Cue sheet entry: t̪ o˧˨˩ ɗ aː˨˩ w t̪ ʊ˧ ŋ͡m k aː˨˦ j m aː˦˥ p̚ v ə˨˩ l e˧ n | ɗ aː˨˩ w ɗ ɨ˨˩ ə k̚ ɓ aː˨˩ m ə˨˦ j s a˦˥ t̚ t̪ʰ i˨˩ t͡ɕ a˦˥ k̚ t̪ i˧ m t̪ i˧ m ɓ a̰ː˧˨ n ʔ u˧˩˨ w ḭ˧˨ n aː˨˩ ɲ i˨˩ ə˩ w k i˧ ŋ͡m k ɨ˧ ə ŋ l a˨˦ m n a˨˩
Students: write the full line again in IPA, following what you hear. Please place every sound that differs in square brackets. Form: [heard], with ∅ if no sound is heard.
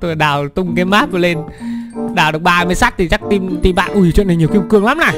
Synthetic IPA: t̪ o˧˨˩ ɗ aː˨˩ w t̪ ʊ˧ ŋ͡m k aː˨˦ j m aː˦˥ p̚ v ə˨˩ l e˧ n | ɗ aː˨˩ w ɗ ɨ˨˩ ə k̚ ɓ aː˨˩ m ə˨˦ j s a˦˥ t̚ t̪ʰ i˨˩ t͡ɕ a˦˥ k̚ t̪ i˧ m t̪ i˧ m ɓ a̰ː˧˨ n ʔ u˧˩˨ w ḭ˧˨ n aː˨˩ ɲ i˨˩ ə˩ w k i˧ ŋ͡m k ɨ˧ ə ŋ l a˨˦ m n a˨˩

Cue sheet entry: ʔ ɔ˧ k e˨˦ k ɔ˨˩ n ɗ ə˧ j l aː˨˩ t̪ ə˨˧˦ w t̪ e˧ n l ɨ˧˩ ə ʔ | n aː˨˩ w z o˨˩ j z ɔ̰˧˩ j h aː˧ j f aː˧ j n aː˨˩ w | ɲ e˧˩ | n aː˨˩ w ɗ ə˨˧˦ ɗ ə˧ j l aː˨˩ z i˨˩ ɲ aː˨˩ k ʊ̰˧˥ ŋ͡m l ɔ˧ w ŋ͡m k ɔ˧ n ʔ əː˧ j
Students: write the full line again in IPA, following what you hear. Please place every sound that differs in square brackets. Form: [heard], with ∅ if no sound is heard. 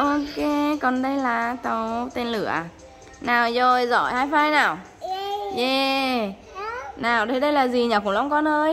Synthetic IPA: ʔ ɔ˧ k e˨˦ k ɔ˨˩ n ɗ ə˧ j l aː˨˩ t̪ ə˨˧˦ w t̪ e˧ n l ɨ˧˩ ə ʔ | n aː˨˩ w z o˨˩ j z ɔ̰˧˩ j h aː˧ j f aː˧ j n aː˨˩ w | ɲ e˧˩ | n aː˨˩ w ɗ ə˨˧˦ ɗ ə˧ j l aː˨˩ z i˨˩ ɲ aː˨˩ k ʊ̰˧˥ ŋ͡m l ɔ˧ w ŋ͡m k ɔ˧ n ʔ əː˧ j

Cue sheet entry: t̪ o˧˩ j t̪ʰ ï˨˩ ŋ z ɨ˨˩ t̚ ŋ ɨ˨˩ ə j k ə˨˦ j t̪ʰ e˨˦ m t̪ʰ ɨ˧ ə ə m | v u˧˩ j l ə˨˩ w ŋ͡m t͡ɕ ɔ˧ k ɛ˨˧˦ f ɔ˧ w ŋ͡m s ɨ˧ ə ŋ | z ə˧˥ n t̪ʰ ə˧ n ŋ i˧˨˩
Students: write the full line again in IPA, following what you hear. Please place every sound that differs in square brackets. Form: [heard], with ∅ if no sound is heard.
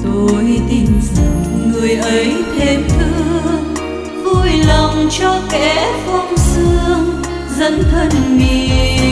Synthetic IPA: t̪ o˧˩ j [t̪] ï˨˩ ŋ z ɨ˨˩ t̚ ŋ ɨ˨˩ ə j [ʔ] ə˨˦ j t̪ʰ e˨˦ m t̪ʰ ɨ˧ ə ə [ŋ] | v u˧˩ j l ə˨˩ w ŋ͡m t͡ɕ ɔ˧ k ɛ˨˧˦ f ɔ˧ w ŋ͡m s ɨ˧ ə ŋ | z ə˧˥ n t̪ʰ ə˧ n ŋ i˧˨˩

